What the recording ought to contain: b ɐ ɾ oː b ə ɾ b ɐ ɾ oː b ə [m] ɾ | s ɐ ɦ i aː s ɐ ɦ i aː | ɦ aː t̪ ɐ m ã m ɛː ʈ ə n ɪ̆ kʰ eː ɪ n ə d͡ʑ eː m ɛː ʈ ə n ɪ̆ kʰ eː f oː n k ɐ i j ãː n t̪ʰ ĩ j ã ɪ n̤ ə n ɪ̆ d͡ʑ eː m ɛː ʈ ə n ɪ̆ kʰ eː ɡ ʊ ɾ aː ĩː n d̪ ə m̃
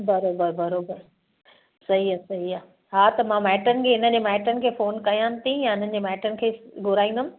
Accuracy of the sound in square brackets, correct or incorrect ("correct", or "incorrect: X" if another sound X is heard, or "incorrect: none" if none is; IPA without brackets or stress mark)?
incorrect: none